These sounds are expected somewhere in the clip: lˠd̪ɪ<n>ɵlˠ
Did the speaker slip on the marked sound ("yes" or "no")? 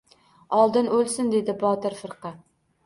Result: no